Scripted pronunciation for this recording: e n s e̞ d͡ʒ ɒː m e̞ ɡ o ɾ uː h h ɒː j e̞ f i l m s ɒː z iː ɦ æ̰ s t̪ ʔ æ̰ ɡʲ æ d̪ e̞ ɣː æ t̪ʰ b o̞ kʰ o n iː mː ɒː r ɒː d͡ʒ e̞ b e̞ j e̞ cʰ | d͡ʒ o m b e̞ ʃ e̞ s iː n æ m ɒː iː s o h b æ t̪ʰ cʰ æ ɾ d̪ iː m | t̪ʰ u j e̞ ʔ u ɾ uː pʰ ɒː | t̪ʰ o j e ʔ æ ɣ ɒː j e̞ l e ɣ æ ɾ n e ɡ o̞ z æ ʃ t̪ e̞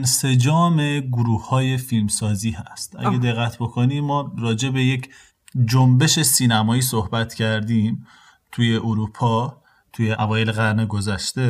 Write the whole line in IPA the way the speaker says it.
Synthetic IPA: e n s e̞ d͡ʒ ɒː m e̞ ɡ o ɾ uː h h ɒː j e̞ f i l m s ɒː z iː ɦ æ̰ s t̪ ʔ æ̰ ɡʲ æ d̪ e̞ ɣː æ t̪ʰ b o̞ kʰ o n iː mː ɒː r ɒː d͡ʒ e̞ b e̞ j e̞ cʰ | d͡ʒ o m b e̞ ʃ e̞ s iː n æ m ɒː iː s o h b æ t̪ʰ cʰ æ ɾ d̪ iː m | t̪ʰ u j e̞ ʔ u ɾ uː pʰ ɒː | t̪ʰ u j e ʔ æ v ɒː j e̞ l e ɣ æ ɾ n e ɡ o̞ z æ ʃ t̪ e̞